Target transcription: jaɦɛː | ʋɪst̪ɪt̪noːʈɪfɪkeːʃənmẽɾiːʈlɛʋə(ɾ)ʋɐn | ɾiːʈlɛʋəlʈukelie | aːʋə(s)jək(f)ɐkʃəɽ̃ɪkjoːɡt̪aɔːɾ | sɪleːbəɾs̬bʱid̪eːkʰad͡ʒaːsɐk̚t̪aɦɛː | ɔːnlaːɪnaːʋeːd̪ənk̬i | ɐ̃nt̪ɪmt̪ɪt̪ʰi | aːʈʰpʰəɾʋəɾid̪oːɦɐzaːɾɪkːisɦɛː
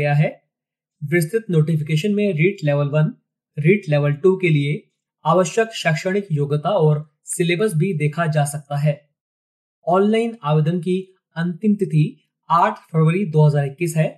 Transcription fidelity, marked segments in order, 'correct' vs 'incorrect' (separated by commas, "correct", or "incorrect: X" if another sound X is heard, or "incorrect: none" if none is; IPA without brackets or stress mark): incorrect: l, incorrect: ʃ, incorrect: ʃ